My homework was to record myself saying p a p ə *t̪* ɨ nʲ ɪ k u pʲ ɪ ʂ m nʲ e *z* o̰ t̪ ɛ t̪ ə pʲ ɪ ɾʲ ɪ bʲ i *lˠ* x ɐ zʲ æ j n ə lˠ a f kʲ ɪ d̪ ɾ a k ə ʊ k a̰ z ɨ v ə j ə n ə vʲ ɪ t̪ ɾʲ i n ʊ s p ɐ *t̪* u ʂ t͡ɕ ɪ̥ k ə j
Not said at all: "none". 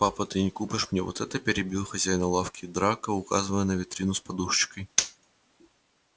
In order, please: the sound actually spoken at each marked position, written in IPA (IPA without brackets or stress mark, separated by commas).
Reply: t̪, v, lˠ, d̪